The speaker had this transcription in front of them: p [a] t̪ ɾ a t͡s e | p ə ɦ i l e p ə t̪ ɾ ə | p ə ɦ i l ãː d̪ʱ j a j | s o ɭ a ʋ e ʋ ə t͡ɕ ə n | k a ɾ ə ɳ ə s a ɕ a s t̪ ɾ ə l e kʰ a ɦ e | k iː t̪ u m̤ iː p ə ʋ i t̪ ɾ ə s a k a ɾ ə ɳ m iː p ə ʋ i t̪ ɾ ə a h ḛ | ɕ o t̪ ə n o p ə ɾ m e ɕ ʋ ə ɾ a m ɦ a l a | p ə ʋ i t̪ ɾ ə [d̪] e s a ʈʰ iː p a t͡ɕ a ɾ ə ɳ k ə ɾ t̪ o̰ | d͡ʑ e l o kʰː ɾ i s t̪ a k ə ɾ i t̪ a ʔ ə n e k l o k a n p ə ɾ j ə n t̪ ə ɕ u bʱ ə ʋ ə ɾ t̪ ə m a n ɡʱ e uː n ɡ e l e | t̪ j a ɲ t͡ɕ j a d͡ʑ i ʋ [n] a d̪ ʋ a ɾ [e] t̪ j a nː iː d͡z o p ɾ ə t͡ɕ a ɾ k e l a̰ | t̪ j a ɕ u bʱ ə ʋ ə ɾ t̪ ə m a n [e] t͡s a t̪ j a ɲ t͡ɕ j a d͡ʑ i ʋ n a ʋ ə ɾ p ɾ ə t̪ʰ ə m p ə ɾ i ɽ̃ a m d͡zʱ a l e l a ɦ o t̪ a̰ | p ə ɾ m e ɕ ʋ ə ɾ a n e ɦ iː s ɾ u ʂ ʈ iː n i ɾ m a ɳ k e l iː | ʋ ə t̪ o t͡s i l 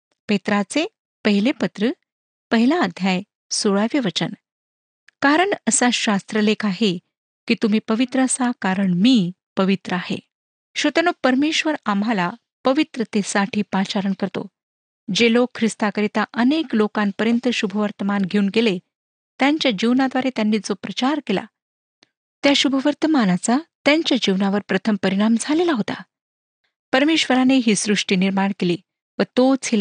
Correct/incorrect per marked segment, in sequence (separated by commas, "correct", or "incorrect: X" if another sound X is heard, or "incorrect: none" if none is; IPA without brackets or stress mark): incorrect: e, incorrect: t̪, correct, correct, incorrect: a